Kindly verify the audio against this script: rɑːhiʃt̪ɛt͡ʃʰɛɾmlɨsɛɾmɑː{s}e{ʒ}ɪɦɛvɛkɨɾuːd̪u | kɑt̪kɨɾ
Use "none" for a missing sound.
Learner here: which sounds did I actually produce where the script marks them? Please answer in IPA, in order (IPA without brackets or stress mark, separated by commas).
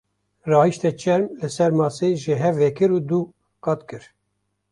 s, ʒ